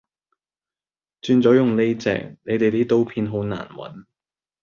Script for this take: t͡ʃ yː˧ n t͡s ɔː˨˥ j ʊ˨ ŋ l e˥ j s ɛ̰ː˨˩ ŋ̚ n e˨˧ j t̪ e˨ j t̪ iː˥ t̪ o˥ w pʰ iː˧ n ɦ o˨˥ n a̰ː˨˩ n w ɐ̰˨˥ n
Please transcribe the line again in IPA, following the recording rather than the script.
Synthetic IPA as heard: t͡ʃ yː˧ n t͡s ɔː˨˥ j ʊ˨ ŋ l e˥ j t͡s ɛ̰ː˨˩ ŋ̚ n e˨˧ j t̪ e˨ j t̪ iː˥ t̪ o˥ w pʰ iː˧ n ɦ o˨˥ n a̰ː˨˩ n w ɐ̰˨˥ n